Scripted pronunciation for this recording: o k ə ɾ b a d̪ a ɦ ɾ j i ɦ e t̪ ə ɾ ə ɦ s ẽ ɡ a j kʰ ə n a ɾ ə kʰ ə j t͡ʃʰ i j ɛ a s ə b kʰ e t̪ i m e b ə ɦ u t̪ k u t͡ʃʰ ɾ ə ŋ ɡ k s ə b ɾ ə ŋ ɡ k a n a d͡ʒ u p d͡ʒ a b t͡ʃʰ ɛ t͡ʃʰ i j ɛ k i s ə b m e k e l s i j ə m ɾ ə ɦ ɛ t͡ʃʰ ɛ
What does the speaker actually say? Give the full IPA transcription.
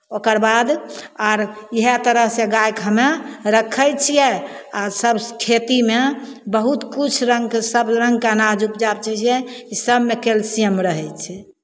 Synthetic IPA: o k ə ɾ b a d̪ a ɾ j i ɦ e t̪ ə ɾ ə ɦ s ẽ ɡ a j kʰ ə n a ɾ ə kʰ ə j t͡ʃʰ i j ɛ a s ə b kʰ e t̪ i m e b ə ɦ u t̪ k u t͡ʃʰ ɾ ə ŋ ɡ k s ə b ɾ ə ŋ ɡ k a n a d͡ʒ u p d͡ʒ a b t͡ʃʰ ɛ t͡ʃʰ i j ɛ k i s ə b m e k e l s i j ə m ɾ ə ɦ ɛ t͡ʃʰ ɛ